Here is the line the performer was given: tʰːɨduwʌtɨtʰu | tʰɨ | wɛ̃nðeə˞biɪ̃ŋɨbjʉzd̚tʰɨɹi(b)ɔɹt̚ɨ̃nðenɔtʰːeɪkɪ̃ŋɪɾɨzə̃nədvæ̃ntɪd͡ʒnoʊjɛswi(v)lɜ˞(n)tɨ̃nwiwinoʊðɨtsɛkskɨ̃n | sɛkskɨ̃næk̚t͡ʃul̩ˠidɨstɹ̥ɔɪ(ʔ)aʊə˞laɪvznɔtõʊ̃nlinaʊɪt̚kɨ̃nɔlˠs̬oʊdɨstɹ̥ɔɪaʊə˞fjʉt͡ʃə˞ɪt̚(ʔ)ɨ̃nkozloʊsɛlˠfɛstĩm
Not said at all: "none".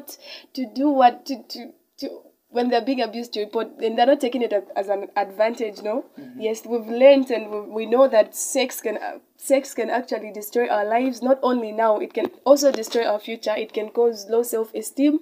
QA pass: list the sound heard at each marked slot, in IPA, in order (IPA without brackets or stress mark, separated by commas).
p, v, n, ʔ, k